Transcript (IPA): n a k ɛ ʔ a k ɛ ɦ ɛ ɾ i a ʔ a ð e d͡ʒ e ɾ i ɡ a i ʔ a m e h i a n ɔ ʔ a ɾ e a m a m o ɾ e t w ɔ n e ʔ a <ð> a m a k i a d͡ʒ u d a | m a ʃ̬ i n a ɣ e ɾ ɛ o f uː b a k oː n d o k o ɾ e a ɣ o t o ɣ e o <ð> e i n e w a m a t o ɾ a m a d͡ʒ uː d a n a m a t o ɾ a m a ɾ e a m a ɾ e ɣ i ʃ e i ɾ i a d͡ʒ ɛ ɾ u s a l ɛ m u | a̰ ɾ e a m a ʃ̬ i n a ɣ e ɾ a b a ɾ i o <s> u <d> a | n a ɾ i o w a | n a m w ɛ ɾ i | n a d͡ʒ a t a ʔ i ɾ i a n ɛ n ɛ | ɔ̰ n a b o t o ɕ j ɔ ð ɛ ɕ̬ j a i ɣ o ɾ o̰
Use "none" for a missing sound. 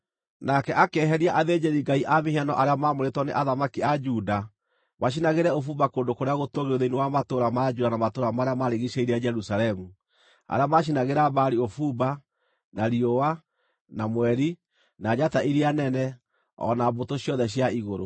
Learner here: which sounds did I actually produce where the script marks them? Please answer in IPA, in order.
ð, ð, f, b

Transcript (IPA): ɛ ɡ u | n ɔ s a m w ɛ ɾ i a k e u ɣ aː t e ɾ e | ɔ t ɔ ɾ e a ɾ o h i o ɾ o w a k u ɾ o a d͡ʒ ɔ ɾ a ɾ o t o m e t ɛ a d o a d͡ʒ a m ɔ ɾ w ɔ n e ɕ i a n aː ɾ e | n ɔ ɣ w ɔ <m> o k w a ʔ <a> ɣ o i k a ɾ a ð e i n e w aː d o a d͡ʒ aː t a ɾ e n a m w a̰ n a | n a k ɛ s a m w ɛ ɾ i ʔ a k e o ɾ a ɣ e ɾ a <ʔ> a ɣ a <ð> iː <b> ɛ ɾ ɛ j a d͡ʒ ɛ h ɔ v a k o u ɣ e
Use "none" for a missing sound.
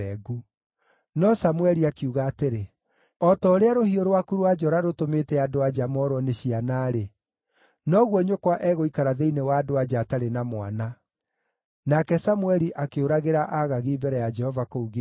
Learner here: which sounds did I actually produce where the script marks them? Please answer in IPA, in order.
ɲ, ɛ, ʔ, ɣ, b

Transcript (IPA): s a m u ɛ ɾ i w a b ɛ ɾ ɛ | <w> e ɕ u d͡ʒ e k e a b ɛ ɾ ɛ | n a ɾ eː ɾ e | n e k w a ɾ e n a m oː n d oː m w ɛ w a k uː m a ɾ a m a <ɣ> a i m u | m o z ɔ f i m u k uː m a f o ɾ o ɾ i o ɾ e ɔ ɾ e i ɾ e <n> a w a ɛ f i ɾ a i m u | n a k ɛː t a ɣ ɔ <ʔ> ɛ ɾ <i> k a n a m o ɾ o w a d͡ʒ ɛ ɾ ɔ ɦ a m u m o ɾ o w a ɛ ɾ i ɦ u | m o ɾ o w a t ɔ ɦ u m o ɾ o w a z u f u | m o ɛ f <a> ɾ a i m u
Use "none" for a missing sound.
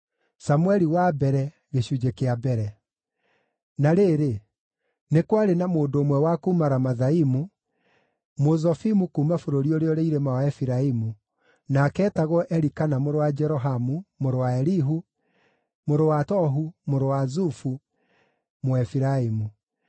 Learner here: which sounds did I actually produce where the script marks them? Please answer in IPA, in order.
ɣ, ð, m, ʔ, i, i

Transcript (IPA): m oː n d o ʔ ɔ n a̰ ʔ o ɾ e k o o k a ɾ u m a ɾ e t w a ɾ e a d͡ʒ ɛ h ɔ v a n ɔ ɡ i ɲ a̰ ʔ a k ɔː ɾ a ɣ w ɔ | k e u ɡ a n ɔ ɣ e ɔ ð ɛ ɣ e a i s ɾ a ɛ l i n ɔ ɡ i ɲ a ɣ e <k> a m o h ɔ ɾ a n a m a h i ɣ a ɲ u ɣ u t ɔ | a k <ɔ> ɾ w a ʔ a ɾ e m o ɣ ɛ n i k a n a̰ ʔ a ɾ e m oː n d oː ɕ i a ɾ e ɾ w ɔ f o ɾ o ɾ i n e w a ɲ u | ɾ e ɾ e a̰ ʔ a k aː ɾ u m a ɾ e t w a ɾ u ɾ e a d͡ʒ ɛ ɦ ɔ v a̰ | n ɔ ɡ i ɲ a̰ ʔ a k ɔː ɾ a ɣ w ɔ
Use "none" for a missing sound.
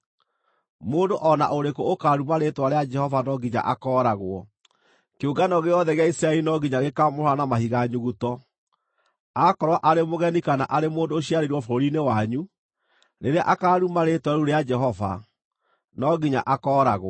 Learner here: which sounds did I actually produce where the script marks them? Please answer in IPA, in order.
k, ɔ

